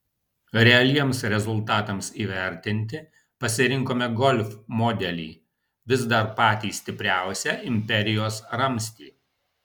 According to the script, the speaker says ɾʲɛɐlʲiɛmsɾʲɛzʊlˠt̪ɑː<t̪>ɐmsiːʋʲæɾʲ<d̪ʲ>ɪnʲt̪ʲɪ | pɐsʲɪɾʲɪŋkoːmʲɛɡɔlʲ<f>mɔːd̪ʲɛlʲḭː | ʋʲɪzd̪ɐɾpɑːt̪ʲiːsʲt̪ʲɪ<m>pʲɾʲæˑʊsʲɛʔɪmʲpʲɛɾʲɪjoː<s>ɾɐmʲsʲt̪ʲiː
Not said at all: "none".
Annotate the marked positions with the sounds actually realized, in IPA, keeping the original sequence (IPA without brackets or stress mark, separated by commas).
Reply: t̪, t̪ʲ, f, none, s